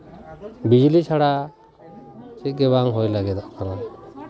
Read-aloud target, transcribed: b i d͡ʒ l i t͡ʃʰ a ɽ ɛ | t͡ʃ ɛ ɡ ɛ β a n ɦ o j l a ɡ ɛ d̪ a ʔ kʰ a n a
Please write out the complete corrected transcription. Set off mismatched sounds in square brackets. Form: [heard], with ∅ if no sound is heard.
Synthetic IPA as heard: b i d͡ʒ l i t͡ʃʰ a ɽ [a] | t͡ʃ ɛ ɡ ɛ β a [ŋ] ɦ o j l a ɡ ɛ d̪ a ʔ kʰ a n a